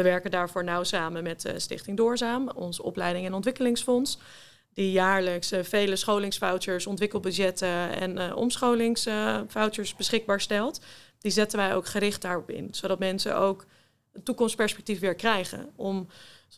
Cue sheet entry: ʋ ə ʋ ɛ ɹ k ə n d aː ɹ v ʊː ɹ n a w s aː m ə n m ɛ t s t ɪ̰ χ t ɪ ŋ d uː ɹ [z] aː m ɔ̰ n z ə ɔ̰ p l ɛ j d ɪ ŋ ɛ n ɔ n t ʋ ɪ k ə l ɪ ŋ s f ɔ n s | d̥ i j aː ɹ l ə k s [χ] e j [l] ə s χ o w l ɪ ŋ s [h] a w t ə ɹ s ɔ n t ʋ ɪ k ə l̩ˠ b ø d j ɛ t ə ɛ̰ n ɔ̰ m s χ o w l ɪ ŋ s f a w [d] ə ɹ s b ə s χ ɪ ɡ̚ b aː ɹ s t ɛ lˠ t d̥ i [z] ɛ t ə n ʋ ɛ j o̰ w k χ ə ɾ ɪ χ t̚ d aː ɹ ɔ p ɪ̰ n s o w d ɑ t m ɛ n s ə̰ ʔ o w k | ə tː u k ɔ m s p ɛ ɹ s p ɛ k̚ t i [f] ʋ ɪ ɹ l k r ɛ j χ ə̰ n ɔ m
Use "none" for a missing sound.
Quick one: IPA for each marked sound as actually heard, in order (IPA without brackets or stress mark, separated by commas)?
z, f, l, f, t, z, f